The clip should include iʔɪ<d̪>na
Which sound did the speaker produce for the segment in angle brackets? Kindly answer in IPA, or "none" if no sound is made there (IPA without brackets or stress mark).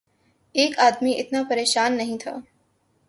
t̪